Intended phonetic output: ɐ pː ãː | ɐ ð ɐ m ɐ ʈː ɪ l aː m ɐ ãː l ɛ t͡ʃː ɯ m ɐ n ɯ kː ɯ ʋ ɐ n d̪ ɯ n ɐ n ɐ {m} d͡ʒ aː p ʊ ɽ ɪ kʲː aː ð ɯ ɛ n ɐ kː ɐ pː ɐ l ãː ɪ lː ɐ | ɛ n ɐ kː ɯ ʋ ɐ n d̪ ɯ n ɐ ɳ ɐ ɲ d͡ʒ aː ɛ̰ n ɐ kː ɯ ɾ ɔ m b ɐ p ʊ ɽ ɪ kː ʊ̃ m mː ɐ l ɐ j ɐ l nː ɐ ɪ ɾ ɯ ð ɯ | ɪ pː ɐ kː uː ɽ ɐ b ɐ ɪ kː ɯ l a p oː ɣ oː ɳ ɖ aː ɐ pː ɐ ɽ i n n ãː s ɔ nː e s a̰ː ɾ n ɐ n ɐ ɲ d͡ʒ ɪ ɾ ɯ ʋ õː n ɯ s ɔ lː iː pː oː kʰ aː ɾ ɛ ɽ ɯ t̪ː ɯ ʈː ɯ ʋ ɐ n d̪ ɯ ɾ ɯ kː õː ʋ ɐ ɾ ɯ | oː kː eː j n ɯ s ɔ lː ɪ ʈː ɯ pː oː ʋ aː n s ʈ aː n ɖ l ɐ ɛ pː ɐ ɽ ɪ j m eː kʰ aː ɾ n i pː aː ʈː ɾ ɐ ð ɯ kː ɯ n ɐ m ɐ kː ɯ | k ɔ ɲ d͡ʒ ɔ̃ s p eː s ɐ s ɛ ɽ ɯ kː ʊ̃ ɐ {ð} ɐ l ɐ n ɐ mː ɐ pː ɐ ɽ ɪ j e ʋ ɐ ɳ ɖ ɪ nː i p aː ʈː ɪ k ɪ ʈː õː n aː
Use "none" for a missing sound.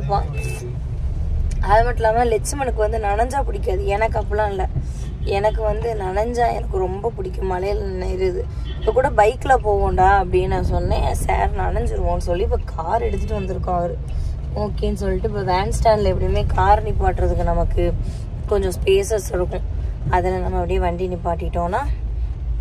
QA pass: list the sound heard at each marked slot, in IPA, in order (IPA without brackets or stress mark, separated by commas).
ɲ, ð